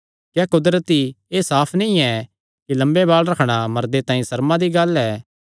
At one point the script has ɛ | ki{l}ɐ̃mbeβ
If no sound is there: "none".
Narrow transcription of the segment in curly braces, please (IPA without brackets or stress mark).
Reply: l